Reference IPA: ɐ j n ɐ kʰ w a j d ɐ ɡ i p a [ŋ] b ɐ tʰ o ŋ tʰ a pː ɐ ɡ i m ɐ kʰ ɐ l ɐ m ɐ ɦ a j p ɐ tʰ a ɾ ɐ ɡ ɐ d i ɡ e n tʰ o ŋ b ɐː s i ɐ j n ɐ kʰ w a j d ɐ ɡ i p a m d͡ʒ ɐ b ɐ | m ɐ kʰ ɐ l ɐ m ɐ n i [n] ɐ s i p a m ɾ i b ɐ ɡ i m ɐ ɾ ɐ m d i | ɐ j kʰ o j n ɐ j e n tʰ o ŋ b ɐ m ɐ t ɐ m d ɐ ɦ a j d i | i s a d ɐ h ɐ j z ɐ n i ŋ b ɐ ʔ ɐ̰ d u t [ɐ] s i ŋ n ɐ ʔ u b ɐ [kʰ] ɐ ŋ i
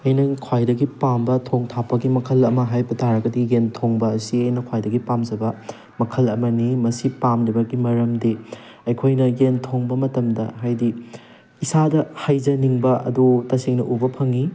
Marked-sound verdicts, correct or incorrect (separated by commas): incorrect, incorrect, correct, incorrect